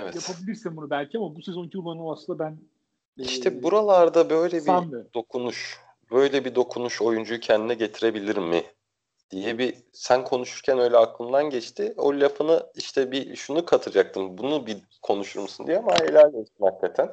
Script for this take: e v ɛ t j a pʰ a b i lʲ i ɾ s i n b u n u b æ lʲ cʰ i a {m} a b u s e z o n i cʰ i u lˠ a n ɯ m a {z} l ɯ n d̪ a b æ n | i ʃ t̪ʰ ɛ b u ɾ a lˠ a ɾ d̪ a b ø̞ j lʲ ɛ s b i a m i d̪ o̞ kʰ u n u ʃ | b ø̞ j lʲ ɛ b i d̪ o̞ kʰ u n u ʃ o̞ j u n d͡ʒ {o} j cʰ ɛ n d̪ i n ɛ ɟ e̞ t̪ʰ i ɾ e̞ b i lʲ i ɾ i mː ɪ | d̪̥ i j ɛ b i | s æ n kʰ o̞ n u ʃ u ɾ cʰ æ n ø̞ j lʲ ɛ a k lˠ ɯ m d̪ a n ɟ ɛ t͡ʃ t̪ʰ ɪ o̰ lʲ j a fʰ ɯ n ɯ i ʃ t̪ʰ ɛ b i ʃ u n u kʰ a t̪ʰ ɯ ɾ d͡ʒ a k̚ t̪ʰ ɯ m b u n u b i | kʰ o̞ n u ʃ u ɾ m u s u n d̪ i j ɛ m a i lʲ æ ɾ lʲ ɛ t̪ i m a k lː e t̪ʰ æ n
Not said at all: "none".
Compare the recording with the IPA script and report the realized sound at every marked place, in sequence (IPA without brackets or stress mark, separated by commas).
m, s, u